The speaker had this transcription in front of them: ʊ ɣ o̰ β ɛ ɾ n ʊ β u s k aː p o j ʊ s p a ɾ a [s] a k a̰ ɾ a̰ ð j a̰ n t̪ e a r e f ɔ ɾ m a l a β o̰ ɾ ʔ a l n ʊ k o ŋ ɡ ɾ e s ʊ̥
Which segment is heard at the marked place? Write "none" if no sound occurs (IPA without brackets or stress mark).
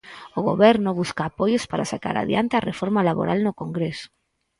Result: s